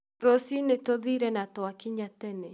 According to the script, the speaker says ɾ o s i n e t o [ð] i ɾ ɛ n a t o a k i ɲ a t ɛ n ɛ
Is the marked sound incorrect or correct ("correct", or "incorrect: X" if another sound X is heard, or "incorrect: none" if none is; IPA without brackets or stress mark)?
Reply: correct